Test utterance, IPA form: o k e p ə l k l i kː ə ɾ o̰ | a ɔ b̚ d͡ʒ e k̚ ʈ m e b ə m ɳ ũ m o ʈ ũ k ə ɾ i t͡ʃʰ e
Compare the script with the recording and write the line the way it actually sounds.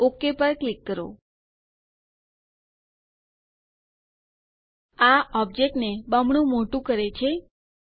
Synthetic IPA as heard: o k e p ə ɾ k l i kː ə ɾ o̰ | a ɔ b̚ d͡ʒ e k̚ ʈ n e b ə m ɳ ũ m o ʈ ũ k ə ɾ e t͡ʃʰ e